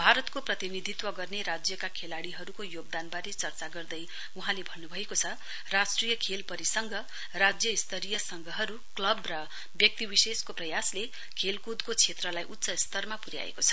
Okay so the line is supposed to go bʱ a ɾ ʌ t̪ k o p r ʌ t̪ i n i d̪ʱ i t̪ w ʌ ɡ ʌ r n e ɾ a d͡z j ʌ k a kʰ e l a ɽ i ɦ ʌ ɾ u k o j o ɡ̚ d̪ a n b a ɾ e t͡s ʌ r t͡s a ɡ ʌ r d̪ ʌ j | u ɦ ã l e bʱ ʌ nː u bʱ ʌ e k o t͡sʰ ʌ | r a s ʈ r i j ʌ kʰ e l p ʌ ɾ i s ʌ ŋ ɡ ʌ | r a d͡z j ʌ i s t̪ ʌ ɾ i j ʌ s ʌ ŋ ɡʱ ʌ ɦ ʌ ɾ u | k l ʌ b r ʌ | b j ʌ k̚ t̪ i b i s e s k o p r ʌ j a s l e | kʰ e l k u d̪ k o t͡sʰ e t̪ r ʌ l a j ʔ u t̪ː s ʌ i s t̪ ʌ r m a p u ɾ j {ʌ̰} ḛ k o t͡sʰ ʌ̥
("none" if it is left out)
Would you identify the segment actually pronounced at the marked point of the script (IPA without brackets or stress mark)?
a̰